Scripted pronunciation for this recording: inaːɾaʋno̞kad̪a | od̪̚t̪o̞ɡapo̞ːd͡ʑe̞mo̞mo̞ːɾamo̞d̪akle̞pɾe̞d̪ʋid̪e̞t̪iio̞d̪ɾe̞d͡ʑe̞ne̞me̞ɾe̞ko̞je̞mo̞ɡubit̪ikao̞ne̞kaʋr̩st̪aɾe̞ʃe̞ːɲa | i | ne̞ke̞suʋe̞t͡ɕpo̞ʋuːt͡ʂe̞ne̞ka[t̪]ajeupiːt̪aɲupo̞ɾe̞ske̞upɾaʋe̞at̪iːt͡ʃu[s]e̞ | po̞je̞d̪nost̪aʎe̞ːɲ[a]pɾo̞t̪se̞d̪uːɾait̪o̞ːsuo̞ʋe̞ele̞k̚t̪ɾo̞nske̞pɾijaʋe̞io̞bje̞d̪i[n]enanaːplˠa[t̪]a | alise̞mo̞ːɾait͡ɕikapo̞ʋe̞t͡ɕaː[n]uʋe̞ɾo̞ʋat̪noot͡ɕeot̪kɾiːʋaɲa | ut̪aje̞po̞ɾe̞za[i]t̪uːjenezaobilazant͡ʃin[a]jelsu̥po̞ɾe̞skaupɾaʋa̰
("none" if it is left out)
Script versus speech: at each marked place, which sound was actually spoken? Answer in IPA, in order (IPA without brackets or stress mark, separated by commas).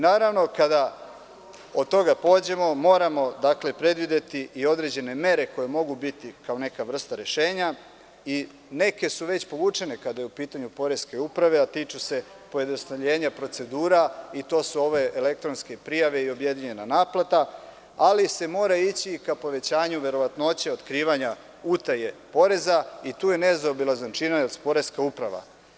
d̪, s, a, ɲ, t̪, ɲ, i, a